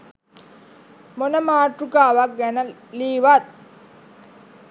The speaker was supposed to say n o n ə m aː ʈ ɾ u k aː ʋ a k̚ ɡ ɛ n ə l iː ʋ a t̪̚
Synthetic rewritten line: m o n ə m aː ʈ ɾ u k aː ʋ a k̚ ɡ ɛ n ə l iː ʋ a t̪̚